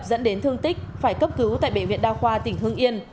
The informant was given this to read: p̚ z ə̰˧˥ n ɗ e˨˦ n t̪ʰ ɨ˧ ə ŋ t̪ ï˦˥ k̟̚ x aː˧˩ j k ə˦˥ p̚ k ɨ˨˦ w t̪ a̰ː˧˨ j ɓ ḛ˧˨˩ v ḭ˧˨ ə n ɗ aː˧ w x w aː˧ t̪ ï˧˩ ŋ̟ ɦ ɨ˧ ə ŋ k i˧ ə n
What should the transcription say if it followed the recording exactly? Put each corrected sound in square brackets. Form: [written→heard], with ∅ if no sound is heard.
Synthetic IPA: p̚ z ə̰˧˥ n ɗ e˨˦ n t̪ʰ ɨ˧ ə ŋ t̪ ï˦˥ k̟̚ [x→f] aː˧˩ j k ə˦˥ p̚ k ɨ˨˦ w t̪ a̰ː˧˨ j ɓ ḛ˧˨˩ v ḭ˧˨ ə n ɗ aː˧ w x w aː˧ t̪ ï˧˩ ŋ̟ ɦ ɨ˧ ə ŋ [k→ʔ] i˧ ə n

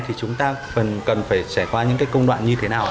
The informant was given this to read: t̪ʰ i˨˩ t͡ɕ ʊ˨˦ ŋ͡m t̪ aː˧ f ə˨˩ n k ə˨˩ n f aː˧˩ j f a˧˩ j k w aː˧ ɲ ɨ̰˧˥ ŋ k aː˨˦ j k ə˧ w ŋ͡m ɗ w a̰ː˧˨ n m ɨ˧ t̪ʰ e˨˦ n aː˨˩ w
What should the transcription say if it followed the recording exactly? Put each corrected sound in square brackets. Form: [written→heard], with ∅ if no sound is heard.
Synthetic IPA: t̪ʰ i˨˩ t͡ɕ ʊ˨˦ ŋ͡m t̪ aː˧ f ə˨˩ n k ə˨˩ n f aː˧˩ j [f→s] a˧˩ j k w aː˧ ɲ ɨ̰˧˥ ŋ k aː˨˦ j k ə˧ w ŋ͡m ɗ w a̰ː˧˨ n [m→ɲ] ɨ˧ t̪ʰ e˨˦ n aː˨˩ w

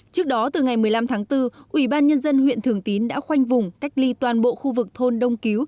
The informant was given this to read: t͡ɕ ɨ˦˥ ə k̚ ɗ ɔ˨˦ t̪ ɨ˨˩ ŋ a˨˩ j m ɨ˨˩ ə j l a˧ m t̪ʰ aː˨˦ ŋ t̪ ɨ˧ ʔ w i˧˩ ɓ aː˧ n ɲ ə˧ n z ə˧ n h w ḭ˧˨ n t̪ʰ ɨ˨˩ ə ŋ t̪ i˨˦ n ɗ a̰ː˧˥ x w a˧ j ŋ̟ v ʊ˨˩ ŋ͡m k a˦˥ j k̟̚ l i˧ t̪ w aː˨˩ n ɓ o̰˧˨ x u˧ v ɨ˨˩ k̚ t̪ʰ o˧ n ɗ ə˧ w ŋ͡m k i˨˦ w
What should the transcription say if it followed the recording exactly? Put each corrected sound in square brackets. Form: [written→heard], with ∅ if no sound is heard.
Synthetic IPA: t͡ɕ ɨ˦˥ ə k̚ ɗ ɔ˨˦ t̪ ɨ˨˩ ŋ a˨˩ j m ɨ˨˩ ə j l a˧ m t̪ʰ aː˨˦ ŋ t̪ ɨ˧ ʔ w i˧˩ ɓ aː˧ n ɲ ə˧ n z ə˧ n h w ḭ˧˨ n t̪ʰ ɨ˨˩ ə ŋ t̪ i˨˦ n ɗ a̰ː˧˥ x w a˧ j ŋ̟ v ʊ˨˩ ŋ͡m k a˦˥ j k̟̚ l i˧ t̪ w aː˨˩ n ɓ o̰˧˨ x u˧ v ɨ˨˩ k̚ t̪ʰ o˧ n ɗ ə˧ w ŋ͡m k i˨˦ w

